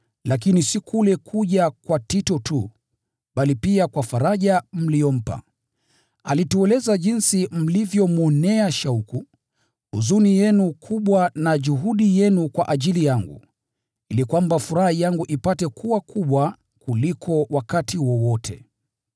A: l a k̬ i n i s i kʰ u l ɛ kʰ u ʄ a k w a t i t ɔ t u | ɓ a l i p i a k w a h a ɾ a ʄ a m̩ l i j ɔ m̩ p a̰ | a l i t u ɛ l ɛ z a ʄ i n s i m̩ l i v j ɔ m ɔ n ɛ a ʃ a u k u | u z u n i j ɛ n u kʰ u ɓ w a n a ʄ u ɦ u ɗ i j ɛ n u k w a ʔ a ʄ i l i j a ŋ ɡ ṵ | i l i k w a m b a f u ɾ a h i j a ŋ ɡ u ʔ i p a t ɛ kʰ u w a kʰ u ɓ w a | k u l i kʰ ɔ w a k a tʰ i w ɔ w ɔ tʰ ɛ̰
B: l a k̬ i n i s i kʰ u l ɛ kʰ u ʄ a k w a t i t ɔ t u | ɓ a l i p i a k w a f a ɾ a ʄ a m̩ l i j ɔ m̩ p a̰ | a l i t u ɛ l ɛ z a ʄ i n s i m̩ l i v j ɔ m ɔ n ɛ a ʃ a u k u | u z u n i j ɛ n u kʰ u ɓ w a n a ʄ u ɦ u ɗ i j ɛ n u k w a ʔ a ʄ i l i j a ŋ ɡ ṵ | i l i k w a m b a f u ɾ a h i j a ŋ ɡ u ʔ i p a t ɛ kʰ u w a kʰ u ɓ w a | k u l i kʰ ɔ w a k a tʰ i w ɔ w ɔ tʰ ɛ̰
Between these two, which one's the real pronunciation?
B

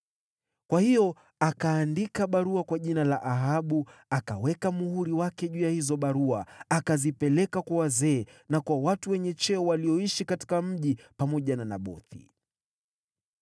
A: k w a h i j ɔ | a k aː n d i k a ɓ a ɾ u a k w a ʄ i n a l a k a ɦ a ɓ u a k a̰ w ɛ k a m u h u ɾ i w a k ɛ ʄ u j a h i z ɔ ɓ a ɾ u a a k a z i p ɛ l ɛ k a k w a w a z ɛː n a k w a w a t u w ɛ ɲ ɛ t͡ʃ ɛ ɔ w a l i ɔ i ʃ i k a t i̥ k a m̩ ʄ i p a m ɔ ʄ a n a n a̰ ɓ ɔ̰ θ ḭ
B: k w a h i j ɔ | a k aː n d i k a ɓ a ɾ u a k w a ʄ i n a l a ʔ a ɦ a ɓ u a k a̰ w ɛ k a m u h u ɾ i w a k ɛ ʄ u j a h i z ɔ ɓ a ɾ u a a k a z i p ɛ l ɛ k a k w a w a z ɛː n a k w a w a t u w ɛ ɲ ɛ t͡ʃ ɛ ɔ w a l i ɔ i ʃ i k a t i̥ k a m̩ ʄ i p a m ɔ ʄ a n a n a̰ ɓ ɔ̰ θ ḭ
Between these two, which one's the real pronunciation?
B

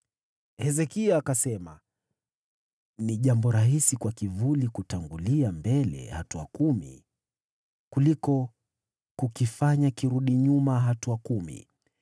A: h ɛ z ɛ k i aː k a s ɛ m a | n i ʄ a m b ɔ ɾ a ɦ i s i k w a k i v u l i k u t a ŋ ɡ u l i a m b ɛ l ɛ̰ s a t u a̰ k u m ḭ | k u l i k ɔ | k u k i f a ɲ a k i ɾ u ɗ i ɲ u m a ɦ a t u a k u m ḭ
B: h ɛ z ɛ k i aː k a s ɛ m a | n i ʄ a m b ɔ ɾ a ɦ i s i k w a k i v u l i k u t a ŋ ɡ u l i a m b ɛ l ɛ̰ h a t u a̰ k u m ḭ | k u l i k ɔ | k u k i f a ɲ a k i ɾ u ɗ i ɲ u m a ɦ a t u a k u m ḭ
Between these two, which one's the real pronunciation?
B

